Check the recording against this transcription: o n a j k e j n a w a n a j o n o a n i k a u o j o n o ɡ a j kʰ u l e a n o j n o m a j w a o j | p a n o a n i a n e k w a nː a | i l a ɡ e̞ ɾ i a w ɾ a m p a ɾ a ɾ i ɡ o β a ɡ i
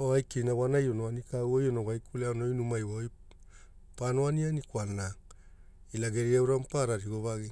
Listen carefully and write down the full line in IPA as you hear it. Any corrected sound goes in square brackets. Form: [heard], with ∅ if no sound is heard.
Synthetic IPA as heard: o [∅] a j k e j n a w a n a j o n o a n i k a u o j o n o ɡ a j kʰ u l e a n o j n [u] m a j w a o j | p a n o a n i a n [i] k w a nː a | i l a ɡ e̞ ɾ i a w ɾ a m p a ɾ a ɾ i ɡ o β a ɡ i